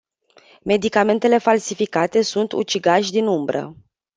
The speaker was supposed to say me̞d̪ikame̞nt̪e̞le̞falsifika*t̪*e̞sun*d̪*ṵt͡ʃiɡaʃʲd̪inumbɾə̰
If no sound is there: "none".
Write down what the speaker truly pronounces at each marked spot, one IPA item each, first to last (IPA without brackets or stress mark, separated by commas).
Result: t̪, t̪